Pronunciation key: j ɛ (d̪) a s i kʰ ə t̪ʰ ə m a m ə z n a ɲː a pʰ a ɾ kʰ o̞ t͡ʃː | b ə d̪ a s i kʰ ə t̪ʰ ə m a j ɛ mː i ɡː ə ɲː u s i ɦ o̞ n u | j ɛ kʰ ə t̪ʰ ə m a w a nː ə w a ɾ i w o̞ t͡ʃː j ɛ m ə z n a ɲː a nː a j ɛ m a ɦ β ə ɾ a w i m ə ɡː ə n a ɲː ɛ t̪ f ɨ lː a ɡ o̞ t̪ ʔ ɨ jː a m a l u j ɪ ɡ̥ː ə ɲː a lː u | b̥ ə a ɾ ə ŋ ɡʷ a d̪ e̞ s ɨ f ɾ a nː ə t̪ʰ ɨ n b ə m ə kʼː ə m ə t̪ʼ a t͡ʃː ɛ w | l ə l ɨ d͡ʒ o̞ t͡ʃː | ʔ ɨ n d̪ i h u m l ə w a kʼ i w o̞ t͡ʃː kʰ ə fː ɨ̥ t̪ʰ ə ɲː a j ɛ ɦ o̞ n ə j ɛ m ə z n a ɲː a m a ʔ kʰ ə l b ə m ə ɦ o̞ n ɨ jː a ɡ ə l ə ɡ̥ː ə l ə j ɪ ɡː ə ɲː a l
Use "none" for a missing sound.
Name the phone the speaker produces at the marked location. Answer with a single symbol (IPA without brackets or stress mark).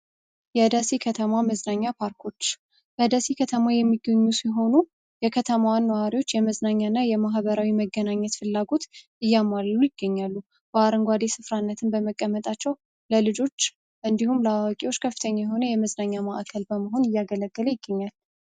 d̪